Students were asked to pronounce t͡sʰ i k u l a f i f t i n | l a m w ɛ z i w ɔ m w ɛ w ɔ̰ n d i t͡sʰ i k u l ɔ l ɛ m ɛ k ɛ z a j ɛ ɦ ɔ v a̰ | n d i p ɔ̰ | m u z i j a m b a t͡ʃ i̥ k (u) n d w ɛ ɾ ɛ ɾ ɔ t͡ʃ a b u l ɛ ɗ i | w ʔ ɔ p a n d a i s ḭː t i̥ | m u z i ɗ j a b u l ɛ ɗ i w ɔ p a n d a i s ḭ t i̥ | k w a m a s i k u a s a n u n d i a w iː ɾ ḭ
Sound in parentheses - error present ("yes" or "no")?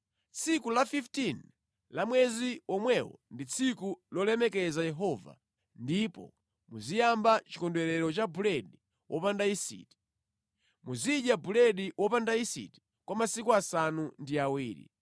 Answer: yes